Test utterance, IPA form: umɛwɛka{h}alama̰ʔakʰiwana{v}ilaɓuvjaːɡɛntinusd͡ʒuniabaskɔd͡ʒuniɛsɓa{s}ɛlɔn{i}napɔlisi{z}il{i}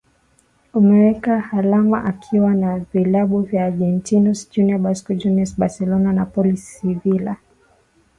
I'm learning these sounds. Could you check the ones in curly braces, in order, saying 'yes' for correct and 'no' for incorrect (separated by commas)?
yes, yes, yes, no, no, no